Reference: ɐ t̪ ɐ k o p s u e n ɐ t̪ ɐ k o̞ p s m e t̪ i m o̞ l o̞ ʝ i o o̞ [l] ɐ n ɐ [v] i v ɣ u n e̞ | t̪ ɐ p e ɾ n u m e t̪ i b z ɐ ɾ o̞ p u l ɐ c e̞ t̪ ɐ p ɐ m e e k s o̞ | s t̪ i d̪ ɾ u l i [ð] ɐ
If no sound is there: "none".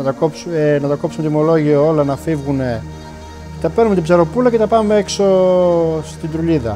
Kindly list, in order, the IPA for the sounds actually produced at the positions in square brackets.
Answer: l, f, ð

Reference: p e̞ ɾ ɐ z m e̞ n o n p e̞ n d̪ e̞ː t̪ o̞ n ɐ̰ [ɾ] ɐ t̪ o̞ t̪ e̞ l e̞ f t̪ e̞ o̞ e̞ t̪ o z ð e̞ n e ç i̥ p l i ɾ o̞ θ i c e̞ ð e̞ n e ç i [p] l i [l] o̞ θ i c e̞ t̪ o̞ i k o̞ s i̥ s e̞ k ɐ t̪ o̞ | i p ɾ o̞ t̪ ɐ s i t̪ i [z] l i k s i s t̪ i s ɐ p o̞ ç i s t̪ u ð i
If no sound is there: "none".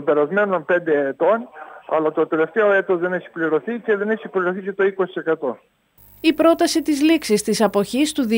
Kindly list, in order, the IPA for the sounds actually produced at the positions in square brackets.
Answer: l, p, ɾ, z

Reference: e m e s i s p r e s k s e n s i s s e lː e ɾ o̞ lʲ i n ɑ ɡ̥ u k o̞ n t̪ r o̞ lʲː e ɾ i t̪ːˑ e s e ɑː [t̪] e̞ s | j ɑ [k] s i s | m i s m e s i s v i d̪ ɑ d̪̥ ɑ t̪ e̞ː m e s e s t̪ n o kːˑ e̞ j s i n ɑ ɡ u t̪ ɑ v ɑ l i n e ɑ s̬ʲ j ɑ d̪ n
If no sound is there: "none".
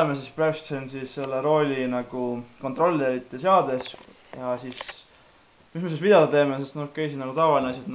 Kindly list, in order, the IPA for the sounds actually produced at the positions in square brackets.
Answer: d̪, none

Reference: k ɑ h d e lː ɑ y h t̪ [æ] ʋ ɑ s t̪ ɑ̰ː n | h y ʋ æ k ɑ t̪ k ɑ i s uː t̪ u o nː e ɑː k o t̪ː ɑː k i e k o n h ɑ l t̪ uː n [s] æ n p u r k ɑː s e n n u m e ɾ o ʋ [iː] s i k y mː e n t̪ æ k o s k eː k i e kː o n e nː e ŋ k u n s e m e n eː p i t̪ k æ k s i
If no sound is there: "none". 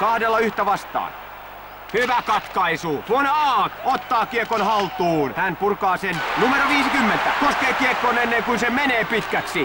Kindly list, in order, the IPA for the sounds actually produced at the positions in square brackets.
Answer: æ, h, iː

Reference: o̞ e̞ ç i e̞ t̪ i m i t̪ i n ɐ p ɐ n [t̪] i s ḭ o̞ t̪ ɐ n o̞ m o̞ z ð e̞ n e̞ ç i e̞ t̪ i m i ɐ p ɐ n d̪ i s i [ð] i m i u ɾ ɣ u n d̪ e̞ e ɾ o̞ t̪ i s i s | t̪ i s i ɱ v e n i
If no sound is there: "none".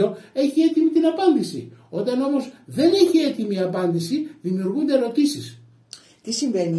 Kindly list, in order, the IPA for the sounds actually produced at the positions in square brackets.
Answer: d̪, ð

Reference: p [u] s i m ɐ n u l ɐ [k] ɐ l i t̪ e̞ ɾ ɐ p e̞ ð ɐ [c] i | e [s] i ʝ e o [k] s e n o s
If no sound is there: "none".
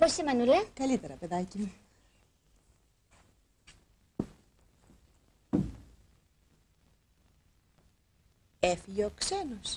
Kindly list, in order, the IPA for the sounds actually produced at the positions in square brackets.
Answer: o, k, c, f, k

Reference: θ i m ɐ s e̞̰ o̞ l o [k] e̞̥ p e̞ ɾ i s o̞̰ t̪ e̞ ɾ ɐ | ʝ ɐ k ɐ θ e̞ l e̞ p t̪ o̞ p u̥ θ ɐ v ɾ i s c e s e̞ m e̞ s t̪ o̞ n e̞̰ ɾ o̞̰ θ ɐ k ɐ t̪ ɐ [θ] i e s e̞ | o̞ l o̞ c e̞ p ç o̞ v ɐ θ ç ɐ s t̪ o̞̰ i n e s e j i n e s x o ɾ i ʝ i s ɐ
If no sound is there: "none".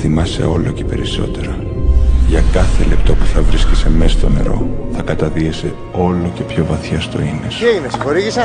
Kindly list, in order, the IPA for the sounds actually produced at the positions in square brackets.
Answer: c, ð

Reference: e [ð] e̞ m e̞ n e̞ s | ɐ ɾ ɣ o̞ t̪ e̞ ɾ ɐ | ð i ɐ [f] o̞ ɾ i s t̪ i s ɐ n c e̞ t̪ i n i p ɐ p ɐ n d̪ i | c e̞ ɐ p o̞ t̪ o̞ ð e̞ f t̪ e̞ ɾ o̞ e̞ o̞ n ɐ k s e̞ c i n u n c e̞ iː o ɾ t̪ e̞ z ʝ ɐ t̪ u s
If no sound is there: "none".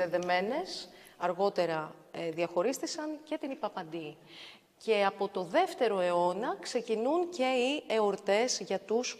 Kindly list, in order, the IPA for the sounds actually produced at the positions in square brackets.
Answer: ð, x

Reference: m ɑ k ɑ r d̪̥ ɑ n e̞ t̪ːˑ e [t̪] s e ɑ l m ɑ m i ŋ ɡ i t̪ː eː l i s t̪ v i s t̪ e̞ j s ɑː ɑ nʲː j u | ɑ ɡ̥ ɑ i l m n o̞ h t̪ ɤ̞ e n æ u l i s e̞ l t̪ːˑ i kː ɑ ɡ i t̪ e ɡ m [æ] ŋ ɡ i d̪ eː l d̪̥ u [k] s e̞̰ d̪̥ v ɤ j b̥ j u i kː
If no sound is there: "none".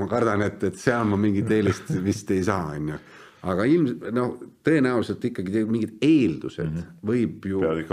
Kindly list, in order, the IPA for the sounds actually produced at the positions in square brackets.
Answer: t̪, i, none

